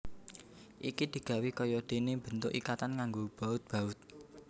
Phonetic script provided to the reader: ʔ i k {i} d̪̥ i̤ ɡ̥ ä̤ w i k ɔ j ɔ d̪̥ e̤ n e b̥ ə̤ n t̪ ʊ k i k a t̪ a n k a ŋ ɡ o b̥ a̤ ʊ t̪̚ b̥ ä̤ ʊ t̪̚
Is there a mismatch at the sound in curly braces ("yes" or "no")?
no